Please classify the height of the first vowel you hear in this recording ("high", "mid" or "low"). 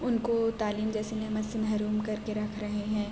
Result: high